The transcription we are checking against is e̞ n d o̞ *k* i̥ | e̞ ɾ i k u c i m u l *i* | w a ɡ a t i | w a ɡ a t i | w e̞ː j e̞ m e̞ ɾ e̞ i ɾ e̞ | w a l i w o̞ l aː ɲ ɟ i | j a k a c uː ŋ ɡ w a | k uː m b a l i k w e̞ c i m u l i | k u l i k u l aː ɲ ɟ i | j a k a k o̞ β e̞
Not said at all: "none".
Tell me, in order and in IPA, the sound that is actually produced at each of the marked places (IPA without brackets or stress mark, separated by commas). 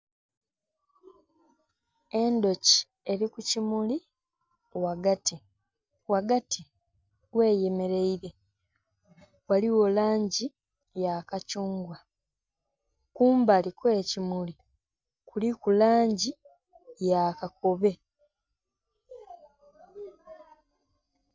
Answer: c, i